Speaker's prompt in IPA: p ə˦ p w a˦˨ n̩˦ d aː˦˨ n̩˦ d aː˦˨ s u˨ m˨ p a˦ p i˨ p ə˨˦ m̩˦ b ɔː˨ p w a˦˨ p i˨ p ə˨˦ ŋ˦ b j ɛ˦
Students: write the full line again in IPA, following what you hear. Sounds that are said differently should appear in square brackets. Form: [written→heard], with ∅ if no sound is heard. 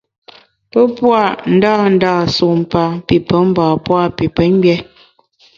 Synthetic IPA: p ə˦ p w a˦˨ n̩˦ d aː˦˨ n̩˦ d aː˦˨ s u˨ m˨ p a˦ p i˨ p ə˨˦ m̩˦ b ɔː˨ p w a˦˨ p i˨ p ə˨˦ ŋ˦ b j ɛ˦

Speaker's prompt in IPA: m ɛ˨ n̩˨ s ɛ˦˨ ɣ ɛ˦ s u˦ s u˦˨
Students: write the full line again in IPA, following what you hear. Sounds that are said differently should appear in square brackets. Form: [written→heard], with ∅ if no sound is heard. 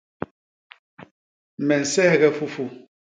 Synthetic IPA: m ɛ˨ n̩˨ s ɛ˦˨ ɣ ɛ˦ [s→f] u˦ [s→f] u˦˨

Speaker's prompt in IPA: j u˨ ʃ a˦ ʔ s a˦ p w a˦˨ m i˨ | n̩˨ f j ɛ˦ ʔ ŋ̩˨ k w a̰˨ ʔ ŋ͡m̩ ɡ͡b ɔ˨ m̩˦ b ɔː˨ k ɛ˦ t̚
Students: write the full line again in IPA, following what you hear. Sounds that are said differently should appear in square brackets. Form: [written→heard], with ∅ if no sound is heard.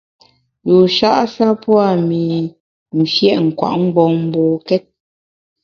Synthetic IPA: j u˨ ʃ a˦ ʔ s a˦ p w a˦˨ m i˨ | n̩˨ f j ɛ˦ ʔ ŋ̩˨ k w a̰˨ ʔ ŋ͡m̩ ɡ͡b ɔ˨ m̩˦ b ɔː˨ k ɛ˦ t̚

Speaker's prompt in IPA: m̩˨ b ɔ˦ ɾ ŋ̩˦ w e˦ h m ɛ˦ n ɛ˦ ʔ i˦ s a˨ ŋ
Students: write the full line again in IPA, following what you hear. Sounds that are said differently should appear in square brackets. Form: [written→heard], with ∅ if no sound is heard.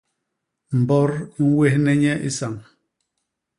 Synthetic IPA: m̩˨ b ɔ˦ ɾ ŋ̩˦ w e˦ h [m→n] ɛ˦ [n→ɲ] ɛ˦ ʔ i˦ s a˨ ŋ

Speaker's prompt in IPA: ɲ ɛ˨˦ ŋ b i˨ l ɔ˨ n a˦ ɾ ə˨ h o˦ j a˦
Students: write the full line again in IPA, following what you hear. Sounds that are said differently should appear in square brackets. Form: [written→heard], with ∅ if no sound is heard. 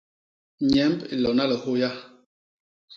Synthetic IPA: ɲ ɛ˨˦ [ŋ→m] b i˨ l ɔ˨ n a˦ [ɾ→l] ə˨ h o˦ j a˦

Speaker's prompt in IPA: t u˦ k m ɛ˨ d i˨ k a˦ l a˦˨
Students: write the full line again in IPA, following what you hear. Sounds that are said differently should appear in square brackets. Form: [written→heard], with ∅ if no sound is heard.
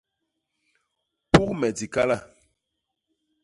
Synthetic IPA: [t→p] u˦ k m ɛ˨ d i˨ k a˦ l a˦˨

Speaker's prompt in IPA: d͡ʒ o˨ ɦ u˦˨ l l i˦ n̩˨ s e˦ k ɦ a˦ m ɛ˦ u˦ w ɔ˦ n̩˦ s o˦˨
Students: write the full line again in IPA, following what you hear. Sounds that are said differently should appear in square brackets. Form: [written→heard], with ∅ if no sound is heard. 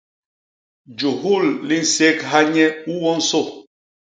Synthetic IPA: d͡ʒ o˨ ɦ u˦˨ l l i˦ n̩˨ s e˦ k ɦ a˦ [m→ɲ] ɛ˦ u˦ w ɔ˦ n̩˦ s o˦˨

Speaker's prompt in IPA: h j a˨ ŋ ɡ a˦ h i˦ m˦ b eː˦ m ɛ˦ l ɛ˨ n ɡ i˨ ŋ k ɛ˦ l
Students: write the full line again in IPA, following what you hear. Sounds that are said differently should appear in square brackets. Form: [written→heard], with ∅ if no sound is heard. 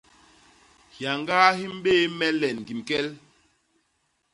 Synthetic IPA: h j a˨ ŋ ɡ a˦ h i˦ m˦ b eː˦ m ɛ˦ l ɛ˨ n ɡ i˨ [ŋ→m] k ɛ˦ l

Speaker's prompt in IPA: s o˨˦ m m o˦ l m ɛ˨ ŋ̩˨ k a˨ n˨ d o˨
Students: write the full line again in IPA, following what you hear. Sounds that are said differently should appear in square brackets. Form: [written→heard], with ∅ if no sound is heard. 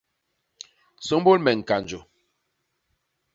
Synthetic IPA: s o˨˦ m [m→b] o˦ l m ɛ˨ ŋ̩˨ k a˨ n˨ [d→d͡ʒ] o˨

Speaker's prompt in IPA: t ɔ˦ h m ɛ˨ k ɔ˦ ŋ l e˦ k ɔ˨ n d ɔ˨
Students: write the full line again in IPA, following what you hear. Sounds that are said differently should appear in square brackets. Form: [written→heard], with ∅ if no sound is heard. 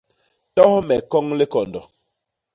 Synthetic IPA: t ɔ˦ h m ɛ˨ k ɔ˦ ŋ l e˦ k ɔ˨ n d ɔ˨

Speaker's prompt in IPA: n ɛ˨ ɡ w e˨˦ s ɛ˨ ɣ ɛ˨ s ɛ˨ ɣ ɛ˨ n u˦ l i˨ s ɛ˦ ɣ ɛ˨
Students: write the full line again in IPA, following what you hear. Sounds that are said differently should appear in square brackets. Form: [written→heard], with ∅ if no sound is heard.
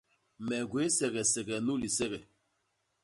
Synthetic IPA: [n→m] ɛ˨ ɡ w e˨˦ s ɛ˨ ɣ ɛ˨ s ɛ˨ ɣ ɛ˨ n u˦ l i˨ s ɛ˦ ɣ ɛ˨

